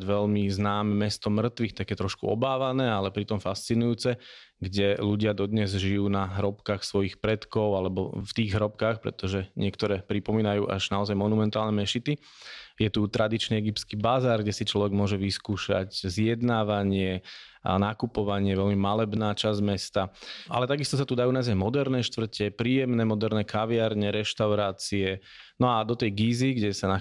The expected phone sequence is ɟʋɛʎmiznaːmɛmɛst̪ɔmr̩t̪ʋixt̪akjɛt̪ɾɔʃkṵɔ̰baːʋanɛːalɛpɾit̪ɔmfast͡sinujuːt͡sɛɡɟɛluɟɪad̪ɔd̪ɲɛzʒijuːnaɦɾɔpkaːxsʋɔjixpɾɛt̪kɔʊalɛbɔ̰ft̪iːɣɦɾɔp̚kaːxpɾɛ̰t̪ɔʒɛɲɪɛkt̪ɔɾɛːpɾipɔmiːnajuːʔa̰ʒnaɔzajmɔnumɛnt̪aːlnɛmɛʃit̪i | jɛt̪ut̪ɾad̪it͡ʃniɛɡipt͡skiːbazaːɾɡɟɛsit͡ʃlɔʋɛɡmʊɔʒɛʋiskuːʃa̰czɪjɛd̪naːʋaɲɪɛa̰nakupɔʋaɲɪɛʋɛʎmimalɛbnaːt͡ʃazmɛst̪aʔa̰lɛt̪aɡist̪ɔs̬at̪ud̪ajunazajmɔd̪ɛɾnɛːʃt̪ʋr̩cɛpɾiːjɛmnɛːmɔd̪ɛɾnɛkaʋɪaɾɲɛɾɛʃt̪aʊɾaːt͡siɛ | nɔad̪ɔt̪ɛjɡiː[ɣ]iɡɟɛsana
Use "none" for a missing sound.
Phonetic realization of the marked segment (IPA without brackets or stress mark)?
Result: z